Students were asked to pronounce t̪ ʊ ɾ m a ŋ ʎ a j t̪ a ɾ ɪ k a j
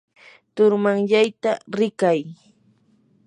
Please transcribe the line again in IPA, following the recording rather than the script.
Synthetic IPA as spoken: t̪ ʊ ɾ m a ŋ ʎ a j t̪ a ɾ ɪ k a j

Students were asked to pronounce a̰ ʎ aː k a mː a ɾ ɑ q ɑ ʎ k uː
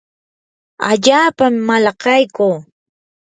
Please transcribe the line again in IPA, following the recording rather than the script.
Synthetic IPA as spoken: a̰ ʎ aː p a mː a l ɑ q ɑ j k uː

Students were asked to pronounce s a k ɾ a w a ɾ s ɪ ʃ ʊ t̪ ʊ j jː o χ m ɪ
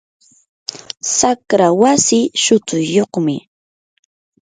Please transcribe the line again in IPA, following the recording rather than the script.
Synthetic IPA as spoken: s a k ɾ a w a s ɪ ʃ ʊ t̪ ʊ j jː o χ m ɪ

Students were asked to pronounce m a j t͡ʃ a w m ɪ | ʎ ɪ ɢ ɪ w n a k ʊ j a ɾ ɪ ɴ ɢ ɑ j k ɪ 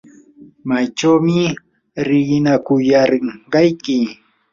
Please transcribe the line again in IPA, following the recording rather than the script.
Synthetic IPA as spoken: m a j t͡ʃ a w m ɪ | ɾ ɪ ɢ ɪ n a k ʊ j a ɾ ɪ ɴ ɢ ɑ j k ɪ

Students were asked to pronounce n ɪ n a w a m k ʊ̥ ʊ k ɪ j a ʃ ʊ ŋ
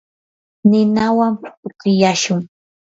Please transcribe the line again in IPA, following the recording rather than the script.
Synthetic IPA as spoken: n ɪ n a w a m p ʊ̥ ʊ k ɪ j a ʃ ʊ ŋ

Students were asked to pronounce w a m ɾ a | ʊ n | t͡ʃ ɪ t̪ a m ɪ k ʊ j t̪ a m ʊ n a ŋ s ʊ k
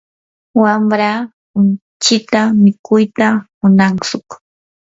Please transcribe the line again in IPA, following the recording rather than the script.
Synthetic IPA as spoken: w a m ɾ a | ʊ n | t͡ʃ ɪ t̪ a m ɪ k ʊ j t̪ a m ʊ n a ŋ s ʊ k

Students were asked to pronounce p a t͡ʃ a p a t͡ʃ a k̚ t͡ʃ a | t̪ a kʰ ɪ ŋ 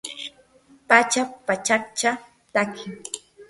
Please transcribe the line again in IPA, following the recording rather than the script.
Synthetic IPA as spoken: p a t͡ʃ a p a t͡ʃ a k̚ t͡ʃ a | t̪ a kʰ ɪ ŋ

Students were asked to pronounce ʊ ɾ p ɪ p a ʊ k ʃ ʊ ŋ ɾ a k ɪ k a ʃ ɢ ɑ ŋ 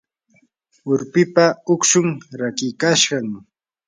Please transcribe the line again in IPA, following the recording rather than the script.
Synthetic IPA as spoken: ʊ ɾ p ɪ p a ʊ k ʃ ʊ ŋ ɾ a k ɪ k a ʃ ɢ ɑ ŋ

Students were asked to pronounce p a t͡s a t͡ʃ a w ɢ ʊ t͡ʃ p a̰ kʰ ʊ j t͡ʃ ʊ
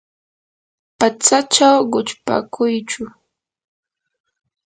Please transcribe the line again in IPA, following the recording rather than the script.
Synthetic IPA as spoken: p a t͡s a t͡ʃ a w ɢ ʊ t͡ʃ p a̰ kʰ ʊ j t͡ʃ ʊ

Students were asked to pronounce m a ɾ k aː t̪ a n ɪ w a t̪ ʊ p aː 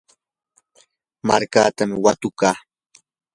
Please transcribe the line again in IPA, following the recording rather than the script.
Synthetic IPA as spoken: m a ɾ k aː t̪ a m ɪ w a t̪ ʊ k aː

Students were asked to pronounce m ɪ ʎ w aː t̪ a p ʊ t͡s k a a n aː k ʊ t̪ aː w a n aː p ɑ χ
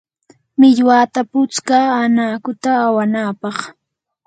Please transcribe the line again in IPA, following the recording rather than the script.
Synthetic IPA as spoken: m ɪ ʎ w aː t̪ a p ʊ t͡s k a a n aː k ʊ t̪ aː w a n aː p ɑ χ

